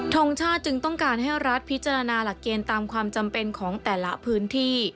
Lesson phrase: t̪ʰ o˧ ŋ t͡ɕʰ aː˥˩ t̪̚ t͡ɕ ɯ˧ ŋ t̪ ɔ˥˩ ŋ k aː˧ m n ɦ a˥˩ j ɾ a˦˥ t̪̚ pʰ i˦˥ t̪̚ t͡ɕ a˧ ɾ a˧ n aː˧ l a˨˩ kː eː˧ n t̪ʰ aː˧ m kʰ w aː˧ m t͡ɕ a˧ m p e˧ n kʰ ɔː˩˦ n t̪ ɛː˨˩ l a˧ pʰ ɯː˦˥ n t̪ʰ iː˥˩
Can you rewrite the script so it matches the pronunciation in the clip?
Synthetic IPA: t̪ʰ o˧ ŋ t͡ɕʰ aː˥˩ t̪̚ t͡ɕ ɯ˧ ŋ t̪ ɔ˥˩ ŋ k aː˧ n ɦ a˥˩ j ɾ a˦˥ t̪̚ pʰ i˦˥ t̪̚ t͡ɕ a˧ ɾ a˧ n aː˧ l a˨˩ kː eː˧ n t̪ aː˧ m kʰ w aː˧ m t͡ɕ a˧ m p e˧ n kʰ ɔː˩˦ ŋ t̪ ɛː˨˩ l a˦˥ pʰ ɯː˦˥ n t̪ʰ iː˥˩